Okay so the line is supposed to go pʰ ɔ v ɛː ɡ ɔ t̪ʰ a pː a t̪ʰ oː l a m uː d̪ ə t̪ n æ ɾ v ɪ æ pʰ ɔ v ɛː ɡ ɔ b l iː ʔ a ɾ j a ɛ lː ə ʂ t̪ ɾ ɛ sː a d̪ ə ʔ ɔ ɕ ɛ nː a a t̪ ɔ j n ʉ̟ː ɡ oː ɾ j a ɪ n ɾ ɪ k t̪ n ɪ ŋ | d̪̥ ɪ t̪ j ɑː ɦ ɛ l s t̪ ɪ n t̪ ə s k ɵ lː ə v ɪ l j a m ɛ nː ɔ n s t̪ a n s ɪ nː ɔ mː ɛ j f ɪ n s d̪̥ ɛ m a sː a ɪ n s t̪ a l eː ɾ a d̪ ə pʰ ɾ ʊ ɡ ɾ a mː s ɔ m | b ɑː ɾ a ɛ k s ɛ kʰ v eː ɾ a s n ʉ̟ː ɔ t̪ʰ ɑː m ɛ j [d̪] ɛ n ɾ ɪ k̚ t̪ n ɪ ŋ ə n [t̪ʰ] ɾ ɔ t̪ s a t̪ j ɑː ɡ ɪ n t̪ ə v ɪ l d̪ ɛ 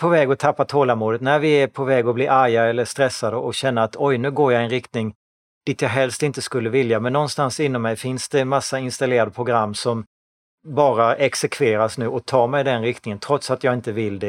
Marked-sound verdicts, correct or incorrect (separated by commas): correct, correct